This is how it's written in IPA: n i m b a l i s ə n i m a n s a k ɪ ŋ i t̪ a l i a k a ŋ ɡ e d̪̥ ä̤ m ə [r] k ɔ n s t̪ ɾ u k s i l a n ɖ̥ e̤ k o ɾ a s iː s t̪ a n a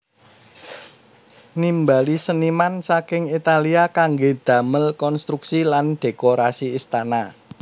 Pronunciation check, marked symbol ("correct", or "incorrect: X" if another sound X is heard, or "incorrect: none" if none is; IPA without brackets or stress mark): incorrect: l